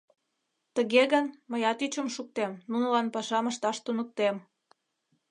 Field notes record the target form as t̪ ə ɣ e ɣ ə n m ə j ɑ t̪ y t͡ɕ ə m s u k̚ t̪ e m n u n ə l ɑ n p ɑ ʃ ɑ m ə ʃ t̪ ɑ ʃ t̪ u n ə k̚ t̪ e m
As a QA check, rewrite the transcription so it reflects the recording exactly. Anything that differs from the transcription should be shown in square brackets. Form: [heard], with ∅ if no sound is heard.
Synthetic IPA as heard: t̪ ə ɣ e ɣ ə n m ə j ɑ t̪ y t͡ɕ ə m [ʃ] u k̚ t̪ e m n u n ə l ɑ n p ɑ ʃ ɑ m ə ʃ t̪ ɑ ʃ t̪ u n ə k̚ t̪ e m